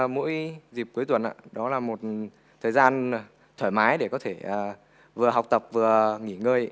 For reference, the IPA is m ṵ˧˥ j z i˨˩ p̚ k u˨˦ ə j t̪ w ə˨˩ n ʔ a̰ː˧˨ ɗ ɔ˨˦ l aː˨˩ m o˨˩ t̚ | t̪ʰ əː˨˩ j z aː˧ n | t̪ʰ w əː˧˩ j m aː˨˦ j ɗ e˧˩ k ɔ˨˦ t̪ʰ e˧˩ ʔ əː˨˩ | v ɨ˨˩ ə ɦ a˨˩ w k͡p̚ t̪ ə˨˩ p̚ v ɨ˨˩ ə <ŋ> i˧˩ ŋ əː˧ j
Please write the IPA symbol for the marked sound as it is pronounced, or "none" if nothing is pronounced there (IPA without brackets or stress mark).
ŋ